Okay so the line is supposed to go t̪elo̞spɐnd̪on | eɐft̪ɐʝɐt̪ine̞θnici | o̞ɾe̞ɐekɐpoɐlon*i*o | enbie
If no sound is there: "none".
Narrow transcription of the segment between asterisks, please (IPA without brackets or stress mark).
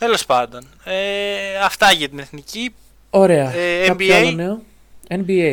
e